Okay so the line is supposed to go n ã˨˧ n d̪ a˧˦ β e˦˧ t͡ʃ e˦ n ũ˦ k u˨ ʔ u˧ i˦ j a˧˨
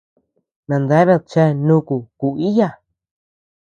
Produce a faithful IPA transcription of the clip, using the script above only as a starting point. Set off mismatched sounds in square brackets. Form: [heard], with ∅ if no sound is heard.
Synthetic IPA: n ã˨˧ n d̪ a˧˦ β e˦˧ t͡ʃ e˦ n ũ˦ k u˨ [k] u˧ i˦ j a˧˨